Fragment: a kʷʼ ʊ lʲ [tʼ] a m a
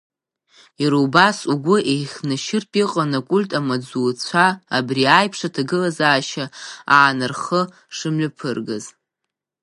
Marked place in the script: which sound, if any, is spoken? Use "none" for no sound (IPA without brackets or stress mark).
tʼ